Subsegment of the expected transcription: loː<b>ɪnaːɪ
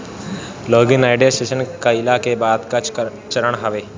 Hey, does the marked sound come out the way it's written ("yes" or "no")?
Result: no